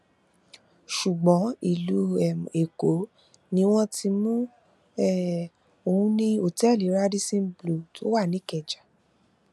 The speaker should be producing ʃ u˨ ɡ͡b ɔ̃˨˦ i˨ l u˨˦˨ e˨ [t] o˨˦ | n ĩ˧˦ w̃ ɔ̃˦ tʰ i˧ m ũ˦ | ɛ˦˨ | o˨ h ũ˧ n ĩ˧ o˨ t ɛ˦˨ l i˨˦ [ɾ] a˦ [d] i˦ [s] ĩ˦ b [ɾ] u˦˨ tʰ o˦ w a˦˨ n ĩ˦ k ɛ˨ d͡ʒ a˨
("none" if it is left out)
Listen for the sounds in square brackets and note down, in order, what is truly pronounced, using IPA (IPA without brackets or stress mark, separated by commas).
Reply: k, ɾ, d, s, l